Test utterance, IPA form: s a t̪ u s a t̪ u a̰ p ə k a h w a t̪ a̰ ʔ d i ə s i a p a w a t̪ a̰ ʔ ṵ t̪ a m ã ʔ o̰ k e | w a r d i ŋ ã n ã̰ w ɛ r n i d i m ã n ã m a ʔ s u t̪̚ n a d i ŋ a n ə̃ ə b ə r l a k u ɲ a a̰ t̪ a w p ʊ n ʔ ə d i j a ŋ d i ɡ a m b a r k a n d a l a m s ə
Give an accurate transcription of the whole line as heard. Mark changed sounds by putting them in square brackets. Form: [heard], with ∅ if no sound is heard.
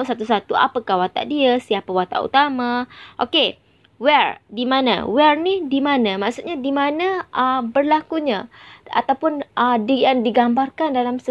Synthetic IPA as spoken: s a t̪ u s a t̪ u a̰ p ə k a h w a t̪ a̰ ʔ d i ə s i a p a w a t̪ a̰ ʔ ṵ t̪ a m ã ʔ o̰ k e | w [ɛ] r d i [m] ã n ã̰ w ɛ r n i d i m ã n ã m a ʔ s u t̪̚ [ɲ] a d i [m] a n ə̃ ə b ə r l a k u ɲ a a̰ t̪ a w p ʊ n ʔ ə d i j a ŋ d i ɡ a m b a r k a n d a l a m s ə